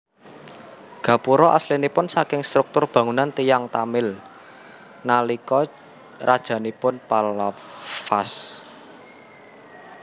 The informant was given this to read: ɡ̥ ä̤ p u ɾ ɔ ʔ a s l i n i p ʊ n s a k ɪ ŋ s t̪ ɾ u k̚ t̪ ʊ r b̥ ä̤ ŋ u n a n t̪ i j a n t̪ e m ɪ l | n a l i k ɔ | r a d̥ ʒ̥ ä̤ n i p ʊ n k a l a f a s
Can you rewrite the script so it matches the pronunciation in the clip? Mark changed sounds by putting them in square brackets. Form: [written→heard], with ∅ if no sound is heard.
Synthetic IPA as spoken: ɡ̥ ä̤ p u ɾ ɔ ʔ a s l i n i p ʊ n s a k ɪ ŋ s t̪ ɾ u k̚ t̪ ʊ r b̥ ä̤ ŋ u n a n t̪ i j a [n→ŋ] t̪ [e→a] m ɪ l | n a l i k ɔ | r a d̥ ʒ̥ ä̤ n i p ʊ n [k→p] a l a f a s